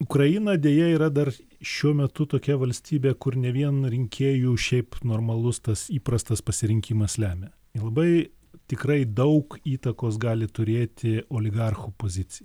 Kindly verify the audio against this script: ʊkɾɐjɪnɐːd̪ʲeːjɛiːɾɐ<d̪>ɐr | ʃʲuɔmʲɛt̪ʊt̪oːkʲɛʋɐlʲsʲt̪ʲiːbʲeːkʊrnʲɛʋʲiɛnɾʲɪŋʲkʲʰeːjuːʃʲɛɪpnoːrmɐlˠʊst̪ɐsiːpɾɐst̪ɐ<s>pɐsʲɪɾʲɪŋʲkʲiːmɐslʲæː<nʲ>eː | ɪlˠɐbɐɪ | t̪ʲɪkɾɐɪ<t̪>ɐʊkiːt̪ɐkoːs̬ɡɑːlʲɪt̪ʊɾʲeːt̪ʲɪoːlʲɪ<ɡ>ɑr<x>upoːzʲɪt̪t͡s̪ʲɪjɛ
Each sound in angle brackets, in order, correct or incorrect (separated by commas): correct, correct, incorrect, incorrect, correct, correct